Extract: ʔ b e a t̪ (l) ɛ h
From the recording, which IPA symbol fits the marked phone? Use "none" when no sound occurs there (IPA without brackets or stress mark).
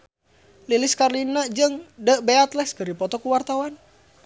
l